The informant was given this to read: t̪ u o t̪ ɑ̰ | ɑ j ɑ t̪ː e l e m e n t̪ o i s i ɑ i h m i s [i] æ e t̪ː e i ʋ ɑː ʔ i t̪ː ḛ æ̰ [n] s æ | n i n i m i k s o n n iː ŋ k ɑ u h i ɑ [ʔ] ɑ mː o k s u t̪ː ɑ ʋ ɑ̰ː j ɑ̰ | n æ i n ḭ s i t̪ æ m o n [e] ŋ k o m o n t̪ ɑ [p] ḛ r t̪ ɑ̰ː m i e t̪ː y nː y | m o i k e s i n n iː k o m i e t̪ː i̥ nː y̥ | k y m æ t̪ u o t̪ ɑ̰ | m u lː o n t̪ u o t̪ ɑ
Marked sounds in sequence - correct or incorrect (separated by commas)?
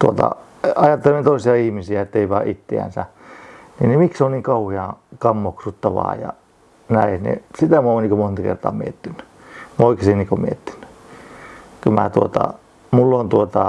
correct, correct, incorrect, incorrect, incorrect